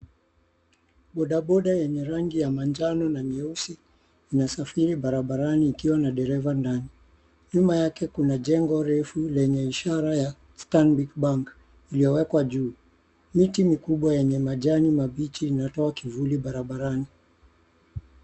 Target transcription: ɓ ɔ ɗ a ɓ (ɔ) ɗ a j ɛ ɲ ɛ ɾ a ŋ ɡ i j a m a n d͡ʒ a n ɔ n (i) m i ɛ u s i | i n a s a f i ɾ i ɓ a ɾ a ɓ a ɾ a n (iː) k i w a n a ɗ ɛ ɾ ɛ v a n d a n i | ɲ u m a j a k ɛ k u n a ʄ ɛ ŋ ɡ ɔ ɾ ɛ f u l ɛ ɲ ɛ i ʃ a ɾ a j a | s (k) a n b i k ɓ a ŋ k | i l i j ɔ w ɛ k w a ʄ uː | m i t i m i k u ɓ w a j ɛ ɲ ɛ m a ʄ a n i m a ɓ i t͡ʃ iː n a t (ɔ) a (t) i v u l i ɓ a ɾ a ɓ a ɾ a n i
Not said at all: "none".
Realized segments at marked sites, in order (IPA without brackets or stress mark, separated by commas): ɔ, a, iː, t, ɔ, k